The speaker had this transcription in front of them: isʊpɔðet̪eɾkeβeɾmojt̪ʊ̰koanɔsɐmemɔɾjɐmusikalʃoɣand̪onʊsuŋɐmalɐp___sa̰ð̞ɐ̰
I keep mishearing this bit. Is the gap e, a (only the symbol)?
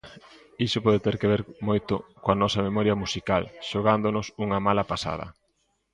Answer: a